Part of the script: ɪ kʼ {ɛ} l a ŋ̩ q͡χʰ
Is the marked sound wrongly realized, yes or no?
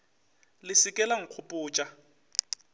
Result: no